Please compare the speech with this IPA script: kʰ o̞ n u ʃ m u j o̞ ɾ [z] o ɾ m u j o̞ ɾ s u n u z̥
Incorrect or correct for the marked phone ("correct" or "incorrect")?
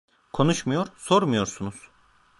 incorrect